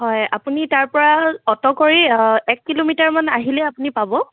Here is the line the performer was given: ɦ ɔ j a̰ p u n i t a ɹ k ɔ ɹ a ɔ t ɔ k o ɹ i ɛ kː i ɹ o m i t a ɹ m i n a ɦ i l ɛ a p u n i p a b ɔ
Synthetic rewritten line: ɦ ɔ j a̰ p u n i t a ɹ p ɔ ɹ a ɔ t ɔ k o ɹ i ɛ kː i l o m i t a ɹ m a n a ɦ i l ɛ a p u n i p a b ɔ

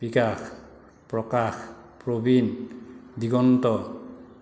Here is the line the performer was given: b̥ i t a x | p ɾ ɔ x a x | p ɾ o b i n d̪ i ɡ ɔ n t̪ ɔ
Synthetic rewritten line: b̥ i k a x | p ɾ ɔ k a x | p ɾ o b i n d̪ i ɡ ɔ n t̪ ɔ

